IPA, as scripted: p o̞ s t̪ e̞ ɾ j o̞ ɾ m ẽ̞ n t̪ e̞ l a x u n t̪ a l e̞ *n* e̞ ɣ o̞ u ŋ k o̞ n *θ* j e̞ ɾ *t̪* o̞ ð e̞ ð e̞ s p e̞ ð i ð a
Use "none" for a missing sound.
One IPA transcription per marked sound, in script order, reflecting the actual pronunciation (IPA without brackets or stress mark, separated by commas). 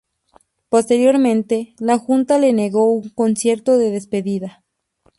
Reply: n, s, t̪